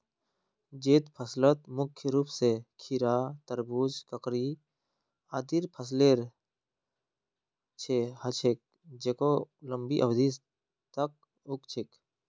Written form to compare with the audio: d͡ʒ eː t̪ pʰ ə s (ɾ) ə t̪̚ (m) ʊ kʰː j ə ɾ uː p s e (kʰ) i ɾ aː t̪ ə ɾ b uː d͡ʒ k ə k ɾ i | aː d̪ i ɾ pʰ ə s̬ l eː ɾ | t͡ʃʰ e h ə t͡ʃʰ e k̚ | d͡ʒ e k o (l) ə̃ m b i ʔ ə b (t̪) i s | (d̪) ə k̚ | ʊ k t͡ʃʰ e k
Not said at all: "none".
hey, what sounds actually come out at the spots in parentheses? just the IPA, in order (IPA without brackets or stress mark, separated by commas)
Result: l, m, kʰ, l, d̪, t̪